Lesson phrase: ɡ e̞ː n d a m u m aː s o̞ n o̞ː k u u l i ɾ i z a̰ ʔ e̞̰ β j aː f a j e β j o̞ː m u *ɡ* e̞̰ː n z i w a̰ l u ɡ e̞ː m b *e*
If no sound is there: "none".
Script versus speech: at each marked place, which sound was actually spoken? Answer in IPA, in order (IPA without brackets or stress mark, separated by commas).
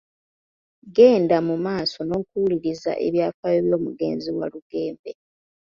ɡ, e